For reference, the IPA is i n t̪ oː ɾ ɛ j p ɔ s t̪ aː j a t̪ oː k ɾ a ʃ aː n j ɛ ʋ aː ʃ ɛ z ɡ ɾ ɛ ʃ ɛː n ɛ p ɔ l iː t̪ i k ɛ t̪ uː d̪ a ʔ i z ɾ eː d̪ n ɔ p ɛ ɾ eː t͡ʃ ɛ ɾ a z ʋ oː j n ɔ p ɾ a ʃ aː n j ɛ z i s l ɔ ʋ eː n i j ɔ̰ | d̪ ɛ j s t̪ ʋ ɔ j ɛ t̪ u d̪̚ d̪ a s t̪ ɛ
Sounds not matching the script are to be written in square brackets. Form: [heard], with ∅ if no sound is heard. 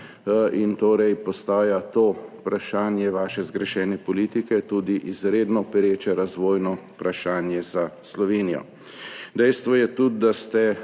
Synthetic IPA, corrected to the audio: i n t̪ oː ɾ ɛ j p ɔ s t̪ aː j a t̪ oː [p] ɾ a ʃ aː n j ɛ ʋ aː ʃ ɛ z ɡ ɾ ɛ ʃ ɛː n ɛ p ɔ l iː t̪ i k ɛ t̪ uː d̪ [i] ʔ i z ɾ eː d̪ n ɔ p ɛ ɾ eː t͡ʃ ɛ ɾ a z ʋ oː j n ɔ p ɾ a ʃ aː n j ɛ z [a] s l ɔ ʋ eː n i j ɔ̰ | d̪ ɛ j s t̪ ʋ ɔ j ɛ t̪ u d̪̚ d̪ a s t̪ ɛ

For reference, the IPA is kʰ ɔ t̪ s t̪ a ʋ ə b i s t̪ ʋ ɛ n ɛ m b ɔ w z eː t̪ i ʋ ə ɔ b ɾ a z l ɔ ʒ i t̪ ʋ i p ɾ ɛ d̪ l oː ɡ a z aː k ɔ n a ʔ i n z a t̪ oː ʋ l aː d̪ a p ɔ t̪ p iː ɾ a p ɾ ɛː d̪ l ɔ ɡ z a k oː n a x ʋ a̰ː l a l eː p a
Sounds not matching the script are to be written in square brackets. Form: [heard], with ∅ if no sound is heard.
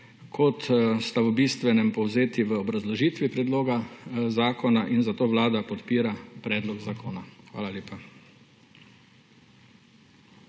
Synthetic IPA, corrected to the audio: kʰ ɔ t̪ s t̪ a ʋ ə b i s t̪ ʋ ɛ n ɛ m [p] ɔ w z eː t̪ i ʋ ə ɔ b ɾ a z l ɔ ʒ i t̪ ʋ i p ɾ ɛ d̪ l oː ɡ a z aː k ɔ n a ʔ i n z a t̪ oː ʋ l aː d̪ a p ɔ t̪ p iː ɾ a p ɾ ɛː d̪ l ɔ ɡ z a k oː n a x ʋ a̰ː l a l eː p a

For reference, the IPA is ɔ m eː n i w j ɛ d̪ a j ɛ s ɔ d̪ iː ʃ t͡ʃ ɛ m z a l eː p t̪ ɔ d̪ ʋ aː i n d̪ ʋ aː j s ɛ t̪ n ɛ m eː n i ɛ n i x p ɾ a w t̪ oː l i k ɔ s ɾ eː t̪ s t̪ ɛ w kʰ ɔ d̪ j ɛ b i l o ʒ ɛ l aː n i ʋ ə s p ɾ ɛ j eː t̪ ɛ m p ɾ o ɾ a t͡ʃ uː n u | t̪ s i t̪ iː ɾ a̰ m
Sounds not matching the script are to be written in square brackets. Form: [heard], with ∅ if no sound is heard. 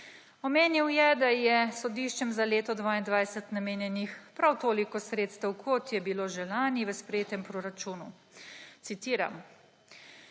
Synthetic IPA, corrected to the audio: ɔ m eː n i w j ɛ d̪ a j ɛ s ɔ d̪ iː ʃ t͡ʃ ɛ m z a l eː [∅] t̪ ɔ d̪ ʋ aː i n d̪ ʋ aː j s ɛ t̪ n [a] m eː n [j] ɛ n i x p ɾ a w t̪ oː l i k ɔ s ɾ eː t̪ s t̪ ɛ w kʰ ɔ [t̪] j ɛ b i l o ʒ ɛ l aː n i ʋ ə s p ɾ ɛ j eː t̪ ɛ m p ɾ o ɾ a t͡ʃ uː n u | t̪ s i t̪ iː ɾ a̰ m

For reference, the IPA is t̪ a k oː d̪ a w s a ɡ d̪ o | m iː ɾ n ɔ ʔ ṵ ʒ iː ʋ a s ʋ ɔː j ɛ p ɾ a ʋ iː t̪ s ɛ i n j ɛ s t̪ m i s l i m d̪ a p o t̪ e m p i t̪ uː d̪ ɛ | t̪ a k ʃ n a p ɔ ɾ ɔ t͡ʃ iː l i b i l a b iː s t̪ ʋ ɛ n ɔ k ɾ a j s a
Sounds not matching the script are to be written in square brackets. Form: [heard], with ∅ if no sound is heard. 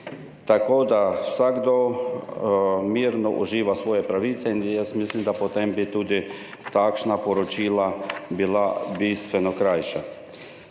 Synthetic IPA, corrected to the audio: t̪ a k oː d̪ a w s a ɡ d̪ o | m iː ɾ n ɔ ʔ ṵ ʒ iː ʋ a s ʋ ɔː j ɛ p ɾ a ʋ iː t̪ s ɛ i n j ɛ s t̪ m i s l i m d̪ a p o t̪ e m [b] i t̪ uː d̪ [i] | t̪ a k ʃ n a p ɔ ɾ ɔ t͡ʃ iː l [a] b i l a b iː s t̪ ʋ ɛ n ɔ k ɾ a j [ʃ] a

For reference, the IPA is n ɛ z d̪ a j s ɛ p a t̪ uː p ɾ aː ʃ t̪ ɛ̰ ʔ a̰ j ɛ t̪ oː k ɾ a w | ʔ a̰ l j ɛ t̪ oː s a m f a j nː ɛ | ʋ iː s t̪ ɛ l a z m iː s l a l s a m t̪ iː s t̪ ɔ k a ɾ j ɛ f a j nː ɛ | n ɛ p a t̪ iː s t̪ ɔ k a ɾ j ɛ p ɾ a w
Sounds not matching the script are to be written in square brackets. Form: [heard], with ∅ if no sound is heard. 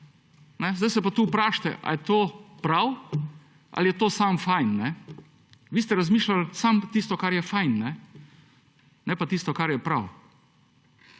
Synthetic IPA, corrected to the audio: n ɛ z d̪ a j s ɛ p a t̪ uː p ɾ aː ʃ t̪ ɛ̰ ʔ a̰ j ɛ t̪ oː [p] ɾ a w | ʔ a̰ l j ɛ t̪ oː s a m f a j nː ɛ | ʋ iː s t̪ ɛ [ɾ] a z m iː [ʃ] l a l s a m t̪ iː s t̪ ɔ k a ɾ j ɛ f a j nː ɛ | n ɛ p a t̪ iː s t̪ ɔ k a ɾ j ɛ p ɾ a w

